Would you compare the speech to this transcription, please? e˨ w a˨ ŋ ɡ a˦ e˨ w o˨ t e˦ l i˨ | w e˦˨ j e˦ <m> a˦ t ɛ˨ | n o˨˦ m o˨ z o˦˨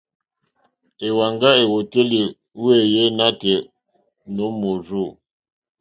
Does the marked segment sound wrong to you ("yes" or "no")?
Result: yes